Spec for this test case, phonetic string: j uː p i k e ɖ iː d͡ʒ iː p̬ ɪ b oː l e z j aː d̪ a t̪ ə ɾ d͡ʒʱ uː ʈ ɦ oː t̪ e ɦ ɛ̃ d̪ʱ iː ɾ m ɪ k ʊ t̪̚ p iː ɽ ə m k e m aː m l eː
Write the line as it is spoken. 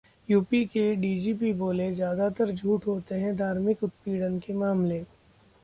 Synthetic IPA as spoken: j uː p i k e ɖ iː d͡ʒ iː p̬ i b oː l e z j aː d̪ a t̪ ə ɾ d͡ʒʱ uː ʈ ɦ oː t̪ e ɦ ɛ̃ d̪ʱ aː ɾ m ɪ k ʊ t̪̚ p iː ɽ ə n k e m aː m l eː

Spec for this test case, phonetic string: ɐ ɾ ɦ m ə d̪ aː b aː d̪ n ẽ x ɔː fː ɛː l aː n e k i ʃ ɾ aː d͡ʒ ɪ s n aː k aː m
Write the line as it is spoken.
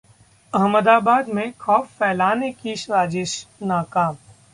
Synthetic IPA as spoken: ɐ ɦ m ə d̪ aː b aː d̪ m ẽ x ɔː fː ɛː l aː n e k i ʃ ɾ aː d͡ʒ ɪ ʃ n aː k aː m

